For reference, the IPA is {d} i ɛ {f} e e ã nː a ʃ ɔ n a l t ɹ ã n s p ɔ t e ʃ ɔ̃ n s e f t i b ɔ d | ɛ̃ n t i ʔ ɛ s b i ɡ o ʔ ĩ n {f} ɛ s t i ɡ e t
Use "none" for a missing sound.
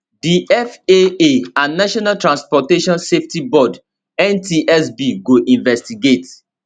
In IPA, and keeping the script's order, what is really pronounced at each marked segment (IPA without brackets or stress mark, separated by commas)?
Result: d, f, v